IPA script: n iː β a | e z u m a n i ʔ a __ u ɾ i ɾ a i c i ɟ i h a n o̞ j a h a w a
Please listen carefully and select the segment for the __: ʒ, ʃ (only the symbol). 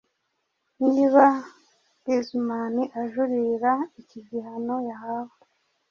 ʒ